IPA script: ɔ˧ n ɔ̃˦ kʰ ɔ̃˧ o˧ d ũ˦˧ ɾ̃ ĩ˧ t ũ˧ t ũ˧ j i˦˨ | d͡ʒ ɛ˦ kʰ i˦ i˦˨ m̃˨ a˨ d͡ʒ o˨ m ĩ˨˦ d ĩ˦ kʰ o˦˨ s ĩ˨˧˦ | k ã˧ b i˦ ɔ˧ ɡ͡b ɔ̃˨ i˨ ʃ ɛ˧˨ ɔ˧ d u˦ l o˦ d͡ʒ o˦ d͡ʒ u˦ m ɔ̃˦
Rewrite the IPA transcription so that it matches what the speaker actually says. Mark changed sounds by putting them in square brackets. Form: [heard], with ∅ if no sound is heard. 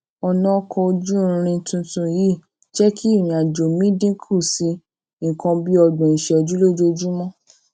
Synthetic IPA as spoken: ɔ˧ n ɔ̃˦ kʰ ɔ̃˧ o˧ [d͡ʒ] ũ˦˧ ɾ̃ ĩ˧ t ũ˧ t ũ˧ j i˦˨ | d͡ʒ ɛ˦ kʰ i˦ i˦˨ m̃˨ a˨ d͡ʒ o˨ m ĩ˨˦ d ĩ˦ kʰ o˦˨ s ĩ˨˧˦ | k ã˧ b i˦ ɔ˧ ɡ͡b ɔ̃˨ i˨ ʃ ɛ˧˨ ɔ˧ [d͡ʒ] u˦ l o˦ d͡ʒ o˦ d͡ʒ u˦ m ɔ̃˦